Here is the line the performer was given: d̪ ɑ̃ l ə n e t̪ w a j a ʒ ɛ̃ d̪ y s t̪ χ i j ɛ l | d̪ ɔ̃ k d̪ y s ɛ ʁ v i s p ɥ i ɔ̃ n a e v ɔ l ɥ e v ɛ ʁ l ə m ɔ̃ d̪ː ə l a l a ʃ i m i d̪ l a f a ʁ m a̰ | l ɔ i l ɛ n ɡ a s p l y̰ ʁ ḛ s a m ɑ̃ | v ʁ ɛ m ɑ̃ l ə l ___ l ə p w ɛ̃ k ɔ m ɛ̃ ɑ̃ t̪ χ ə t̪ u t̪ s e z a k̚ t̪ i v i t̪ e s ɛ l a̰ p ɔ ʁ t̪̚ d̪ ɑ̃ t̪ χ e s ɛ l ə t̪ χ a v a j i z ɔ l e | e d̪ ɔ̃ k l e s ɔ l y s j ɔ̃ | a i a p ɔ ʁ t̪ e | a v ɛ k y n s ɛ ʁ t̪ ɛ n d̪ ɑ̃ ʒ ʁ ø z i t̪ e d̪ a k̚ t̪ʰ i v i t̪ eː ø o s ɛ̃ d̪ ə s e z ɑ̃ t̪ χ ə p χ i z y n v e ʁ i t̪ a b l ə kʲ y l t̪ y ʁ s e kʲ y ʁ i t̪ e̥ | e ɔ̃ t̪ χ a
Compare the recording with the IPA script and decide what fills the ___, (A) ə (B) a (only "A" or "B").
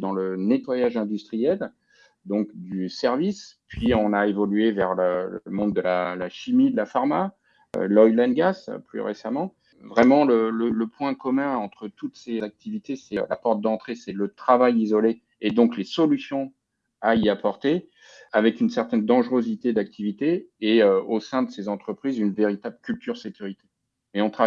A